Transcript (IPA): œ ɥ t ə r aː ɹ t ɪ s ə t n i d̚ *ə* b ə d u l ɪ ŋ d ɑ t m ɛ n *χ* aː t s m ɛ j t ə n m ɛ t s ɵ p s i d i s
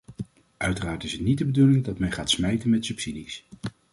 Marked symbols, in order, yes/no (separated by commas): yes, yes